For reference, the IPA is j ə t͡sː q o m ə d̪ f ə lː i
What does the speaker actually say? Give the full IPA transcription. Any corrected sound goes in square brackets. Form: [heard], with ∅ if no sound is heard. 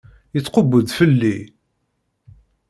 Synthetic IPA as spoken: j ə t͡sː q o [b] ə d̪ f ə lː i